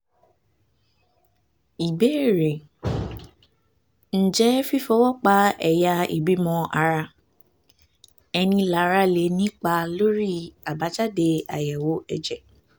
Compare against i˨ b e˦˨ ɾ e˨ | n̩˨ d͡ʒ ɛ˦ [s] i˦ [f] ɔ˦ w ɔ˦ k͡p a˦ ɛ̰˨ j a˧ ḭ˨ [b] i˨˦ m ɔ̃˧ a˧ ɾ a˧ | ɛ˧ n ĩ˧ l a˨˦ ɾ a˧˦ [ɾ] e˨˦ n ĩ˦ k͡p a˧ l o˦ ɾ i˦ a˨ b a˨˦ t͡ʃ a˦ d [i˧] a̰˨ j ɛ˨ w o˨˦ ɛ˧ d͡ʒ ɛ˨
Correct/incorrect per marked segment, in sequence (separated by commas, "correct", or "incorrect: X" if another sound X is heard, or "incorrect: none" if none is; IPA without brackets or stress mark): incorrect: f, correct, correct, incorrect: l, incorrect: e˧